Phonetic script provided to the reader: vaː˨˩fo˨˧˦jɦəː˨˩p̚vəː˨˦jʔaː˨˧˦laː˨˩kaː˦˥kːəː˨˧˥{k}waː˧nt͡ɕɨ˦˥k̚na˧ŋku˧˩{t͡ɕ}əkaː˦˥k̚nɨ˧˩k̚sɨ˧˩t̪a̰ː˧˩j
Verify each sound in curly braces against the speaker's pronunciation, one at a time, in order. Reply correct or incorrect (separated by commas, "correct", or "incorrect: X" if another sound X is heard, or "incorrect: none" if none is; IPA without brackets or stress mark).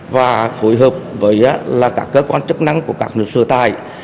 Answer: correct, incorrect: none